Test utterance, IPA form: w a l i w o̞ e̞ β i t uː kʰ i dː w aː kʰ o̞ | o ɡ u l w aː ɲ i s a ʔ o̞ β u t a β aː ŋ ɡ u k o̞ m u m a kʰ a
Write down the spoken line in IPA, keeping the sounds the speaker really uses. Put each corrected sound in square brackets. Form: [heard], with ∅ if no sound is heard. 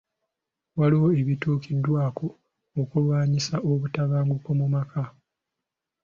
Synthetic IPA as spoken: w a l i w o̞ e̞ β i t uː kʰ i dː w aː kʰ o̞ | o [k] u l w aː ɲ i s a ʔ o̞ β u t a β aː ŋ ɡ u k o̞ m u m a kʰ a